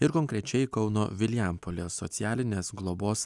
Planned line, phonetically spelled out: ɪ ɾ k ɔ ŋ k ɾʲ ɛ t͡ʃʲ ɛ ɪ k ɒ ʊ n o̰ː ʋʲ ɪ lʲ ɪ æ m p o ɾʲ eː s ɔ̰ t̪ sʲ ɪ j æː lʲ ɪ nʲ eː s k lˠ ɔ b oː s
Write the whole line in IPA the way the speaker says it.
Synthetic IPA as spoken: ɪ ɾ k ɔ ŋ k ɾʲ ɛ t͡ʃʲ ɛ ɪ k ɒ ʊ n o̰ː ʋʲ ɪ lʲ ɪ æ m p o lʲ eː s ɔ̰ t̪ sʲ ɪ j æː lʲ ɪ nʲ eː s ɡ lˠ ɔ b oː s